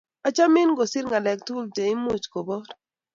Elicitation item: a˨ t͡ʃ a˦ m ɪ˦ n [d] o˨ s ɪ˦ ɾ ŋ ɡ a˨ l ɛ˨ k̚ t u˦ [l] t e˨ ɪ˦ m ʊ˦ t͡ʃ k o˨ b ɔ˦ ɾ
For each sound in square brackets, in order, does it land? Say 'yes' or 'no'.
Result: no, yes

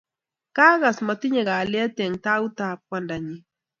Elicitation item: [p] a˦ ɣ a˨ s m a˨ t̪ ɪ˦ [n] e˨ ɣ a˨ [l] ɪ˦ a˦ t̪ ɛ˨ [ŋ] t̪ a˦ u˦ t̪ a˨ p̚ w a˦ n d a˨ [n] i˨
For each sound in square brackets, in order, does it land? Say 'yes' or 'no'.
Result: no, no, yes, yes, no

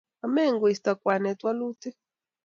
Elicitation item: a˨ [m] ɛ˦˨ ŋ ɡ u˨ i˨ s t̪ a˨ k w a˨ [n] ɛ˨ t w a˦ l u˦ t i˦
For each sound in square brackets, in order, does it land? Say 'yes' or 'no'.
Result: yes, yes

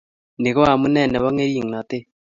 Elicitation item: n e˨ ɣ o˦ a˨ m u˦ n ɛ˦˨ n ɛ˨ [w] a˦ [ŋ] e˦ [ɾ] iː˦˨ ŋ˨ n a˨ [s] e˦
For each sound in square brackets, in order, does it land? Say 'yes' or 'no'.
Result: no, yes, yes, no

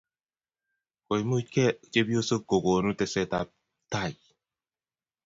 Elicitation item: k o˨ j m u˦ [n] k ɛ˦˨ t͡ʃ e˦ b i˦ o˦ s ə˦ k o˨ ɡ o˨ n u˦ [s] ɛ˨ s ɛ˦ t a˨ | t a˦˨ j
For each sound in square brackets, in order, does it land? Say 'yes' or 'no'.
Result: no, no

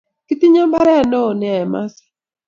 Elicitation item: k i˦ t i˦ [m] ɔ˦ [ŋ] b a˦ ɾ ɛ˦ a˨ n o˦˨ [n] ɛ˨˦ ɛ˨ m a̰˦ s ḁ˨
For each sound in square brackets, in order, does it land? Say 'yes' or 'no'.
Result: no, no, yes

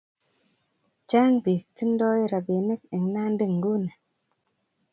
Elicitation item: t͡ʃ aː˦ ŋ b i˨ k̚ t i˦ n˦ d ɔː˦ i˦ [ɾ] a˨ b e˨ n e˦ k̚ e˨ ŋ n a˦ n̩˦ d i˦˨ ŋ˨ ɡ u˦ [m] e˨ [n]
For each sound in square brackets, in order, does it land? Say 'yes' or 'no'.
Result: yes, no, no

